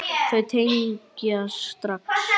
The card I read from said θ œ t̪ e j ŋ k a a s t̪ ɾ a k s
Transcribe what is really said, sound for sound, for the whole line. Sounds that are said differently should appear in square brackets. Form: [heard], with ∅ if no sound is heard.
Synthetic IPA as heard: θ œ [t̪ʰ] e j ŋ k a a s t̪ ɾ a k s